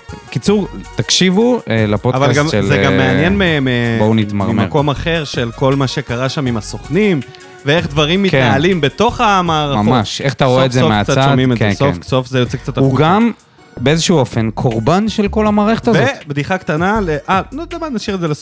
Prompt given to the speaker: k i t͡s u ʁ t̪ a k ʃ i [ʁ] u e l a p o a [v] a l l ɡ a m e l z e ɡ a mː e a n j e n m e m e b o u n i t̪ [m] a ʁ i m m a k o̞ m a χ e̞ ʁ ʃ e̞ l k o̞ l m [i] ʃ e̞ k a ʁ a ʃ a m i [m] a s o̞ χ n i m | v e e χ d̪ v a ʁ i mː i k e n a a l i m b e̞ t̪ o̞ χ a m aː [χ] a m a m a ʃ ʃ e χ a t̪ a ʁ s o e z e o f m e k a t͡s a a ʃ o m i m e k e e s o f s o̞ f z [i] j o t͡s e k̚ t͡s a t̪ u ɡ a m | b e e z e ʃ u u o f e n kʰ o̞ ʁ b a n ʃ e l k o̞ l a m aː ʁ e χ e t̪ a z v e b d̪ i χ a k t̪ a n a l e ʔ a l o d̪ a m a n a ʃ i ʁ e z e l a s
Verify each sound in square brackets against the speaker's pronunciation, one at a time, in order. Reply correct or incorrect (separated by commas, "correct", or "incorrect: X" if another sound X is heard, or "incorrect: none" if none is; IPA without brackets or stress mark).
incorrect: v, correct, correct, incorrect: a, correct, incorrect: ʁ, incorrect: e